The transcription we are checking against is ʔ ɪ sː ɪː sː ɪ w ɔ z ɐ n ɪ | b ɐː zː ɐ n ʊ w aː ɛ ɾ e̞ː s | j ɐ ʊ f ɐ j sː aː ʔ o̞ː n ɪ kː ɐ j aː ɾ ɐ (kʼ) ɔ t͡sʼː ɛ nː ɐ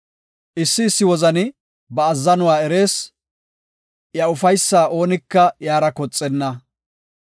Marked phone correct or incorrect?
incorrect